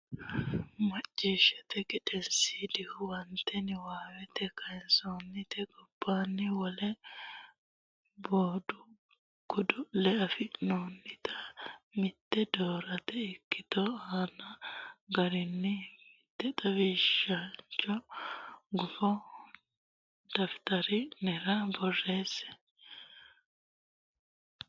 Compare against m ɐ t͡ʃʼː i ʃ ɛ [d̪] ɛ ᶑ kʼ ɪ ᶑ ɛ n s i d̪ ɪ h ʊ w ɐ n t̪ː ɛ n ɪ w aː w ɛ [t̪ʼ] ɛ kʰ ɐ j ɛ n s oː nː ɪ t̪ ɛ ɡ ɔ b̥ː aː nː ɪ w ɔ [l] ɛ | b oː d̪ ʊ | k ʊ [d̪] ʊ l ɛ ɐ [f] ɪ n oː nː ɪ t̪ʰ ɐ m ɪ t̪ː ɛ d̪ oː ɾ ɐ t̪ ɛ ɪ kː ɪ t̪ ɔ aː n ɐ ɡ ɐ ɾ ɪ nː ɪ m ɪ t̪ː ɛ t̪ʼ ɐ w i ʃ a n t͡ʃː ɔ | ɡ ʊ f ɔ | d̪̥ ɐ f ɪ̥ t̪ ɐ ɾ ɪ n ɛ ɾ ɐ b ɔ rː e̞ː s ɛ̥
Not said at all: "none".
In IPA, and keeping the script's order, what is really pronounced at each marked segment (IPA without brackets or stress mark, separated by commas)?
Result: t̪, t̪, l, d̪, f